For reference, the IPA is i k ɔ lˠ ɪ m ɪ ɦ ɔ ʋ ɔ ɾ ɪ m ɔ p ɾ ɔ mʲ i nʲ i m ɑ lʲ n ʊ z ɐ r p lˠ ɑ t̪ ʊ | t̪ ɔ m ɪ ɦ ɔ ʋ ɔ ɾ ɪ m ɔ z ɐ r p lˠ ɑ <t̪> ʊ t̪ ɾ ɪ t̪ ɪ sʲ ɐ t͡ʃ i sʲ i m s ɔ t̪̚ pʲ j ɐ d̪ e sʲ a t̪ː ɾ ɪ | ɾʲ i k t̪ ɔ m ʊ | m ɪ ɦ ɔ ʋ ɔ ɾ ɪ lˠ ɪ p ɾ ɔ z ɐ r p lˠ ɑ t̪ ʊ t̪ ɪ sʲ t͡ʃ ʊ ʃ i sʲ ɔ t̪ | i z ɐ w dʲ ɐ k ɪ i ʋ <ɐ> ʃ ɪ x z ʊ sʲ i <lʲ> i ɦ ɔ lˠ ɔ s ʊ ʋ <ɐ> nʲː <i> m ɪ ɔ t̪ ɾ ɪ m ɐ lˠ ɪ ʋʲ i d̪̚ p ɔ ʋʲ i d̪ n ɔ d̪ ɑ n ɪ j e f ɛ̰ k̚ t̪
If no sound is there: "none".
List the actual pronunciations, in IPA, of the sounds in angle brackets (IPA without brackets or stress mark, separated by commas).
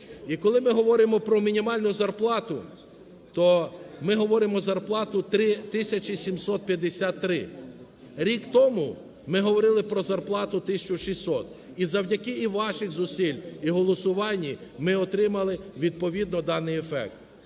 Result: t̪, ɑ, lʲ, ɑ, i